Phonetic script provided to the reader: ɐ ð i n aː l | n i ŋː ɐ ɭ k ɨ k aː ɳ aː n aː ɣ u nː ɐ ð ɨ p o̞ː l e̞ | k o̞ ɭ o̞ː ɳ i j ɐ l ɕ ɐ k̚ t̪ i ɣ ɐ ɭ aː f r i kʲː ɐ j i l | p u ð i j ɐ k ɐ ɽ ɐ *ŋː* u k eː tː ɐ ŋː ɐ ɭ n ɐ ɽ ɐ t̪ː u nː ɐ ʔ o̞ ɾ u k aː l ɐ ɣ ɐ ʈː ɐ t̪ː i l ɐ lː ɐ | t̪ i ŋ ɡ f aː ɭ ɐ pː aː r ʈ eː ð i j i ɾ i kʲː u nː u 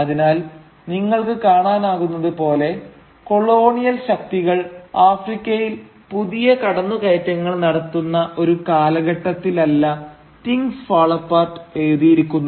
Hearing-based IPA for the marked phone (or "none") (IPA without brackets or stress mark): nː